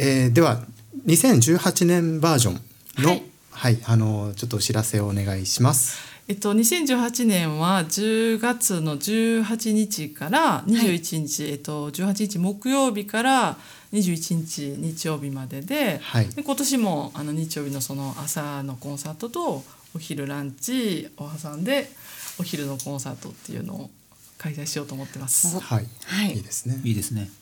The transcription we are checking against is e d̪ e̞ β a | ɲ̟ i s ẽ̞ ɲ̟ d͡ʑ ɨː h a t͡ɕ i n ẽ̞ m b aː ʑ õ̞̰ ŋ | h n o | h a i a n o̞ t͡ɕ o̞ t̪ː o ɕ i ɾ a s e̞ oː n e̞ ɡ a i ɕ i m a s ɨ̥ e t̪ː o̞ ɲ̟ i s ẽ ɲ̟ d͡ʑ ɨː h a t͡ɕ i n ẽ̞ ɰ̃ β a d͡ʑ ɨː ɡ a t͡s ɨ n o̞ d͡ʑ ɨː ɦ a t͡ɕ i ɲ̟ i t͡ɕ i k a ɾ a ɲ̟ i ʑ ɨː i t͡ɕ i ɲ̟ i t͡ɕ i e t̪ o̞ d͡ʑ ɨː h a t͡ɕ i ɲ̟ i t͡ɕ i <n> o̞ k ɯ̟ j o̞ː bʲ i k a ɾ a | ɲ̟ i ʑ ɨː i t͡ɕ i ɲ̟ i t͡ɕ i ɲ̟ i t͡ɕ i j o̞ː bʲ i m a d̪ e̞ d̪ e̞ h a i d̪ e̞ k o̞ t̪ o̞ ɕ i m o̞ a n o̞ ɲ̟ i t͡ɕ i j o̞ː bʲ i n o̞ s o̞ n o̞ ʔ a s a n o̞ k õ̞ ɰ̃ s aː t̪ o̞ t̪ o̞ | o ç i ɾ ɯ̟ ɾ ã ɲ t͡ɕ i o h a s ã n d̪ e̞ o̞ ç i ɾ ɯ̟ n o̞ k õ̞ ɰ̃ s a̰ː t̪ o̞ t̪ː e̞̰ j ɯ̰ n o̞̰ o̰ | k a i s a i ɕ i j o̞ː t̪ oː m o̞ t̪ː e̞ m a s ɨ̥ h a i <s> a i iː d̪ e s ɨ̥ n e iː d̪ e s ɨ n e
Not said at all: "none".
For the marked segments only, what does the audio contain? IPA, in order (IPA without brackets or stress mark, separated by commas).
m, h